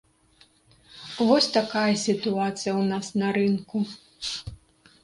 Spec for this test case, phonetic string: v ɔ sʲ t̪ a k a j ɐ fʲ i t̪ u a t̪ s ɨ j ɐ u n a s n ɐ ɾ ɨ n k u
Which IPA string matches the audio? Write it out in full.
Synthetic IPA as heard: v ɔ sʲ t̪ a k a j ɐ sʲ i t̪ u a t̪ s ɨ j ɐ w n a s n ɐ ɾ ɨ n k u